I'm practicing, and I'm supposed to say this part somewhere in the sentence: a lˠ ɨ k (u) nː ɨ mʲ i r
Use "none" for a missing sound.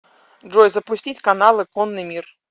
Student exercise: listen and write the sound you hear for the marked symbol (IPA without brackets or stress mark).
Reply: ɔ